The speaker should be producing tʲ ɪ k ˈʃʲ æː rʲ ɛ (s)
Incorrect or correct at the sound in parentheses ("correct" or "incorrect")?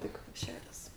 correct